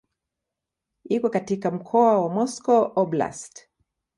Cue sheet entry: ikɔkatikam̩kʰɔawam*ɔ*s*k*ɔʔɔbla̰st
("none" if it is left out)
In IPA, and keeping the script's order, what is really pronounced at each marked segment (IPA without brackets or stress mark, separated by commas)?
ɔ, k